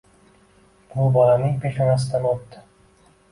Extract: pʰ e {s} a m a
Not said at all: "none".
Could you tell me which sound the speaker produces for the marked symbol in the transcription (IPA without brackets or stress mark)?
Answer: ʃ